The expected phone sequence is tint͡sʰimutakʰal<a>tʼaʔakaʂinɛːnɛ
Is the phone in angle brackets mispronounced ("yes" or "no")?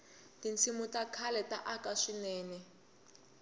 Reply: yes